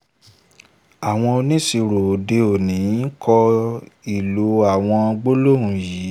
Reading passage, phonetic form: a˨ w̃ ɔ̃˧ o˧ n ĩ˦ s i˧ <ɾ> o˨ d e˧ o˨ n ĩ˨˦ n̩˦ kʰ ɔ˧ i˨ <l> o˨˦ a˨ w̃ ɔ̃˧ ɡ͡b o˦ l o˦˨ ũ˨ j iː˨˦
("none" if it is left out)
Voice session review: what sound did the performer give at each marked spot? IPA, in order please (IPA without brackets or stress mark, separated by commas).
ɾ, l